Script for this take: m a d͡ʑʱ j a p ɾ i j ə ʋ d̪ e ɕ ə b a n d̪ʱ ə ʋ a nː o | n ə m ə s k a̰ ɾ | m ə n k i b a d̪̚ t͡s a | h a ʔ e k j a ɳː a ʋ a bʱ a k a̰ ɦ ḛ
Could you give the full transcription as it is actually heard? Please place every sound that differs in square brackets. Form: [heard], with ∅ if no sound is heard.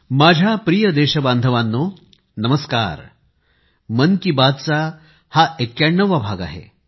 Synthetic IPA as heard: m a d͡ʑʱ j a p ɾ i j ə [∅] d̪ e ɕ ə b a n d̪ʱ ə ʋ a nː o | n ə m ə s k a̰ ɾ | m ə n k i b a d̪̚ t͡s a | h a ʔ e k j a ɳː [ə] ʋ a bʱ a [ɡ] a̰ ɦ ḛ